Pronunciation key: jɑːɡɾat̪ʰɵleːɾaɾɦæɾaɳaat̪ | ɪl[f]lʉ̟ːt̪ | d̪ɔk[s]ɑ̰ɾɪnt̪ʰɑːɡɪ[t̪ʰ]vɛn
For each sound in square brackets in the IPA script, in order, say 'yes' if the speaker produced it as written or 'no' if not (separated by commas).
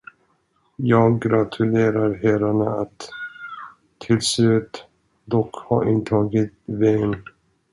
no, no, no